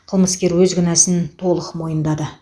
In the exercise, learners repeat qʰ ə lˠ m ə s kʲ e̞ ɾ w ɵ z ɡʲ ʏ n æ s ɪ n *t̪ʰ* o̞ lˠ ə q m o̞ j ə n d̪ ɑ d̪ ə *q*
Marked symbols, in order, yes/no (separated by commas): yes, no